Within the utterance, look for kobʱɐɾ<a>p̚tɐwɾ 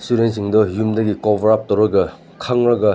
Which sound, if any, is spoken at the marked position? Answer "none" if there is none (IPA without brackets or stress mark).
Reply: a